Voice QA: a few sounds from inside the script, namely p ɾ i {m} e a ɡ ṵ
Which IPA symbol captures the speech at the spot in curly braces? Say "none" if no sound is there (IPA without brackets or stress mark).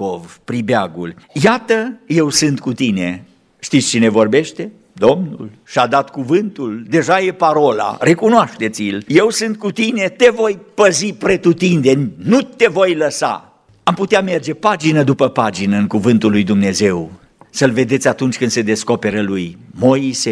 b